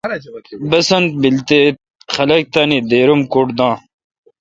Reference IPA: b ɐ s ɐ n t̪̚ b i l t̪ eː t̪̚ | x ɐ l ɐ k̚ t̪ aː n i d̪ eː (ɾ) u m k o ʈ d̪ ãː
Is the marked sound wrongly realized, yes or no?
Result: no